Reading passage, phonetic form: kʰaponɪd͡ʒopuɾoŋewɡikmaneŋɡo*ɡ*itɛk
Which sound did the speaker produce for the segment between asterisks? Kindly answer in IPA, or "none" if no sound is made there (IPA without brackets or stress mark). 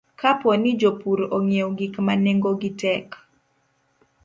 ɡ